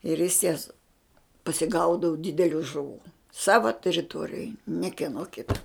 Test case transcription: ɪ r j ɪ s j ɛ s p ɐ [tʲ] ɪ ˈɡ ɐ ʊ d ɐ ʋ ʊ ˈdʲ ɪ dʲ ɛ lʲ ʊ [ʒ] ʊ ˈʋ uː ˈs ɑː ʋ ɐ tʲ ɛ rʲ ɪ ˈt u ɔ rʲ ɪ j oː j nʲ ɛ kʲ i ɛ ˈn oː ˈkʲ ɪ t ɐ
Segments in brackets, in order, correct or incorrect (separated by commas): incorrect, correct